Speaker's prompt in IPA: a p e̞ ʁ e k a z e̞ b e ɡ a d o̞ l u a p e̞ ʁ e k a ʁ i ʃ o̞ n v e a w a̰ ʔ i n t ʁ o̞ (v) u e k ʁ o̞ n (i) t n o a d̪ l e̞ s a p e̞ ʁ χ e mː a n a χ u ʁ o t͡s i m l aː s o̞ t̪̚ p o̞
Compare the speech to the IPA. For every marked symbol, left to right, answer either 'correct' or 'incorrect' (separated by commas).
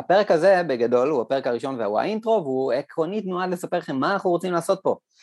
correct, correct